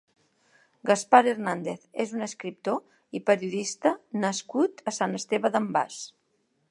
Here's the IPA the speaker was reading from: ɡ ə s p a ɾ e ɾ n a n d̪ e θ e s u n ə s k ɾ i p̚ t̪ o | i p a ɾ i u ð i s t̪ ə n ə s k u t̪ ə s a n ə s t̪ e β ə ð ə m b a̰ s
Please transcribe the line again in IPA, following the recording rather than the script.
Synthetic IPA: ɡ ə s p a ɾ e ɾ n a n d̪ e θ e z u n ə s k ɾ i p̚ t̪ o | i p ə ɾ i u ð i s t̪ ə n ə s k u t̪ ə s a n ə s t̪ e β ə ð ə m b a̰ s